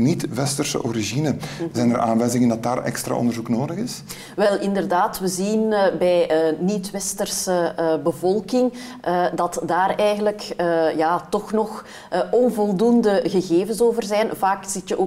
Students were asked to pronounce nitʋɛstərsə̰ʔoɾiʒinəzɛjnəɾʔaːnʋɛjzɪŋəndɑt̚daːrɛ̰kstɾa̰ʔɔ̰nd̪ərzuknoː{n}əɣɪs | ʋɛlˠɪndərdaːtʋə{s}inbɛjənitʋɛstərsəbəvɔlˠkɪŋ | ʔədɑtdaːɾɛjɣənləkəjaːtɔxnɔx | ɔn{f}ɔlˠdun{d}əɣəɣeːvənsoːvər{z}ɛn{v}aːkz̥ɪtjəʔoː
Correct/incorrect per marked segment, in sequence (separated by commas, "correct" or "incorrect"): incorrect, incorrect, incorrect, correct, correct, correct